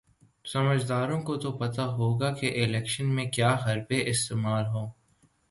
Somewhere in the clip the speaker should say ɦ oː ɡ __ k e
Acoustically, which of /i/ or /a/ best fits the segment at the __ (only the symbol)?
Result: a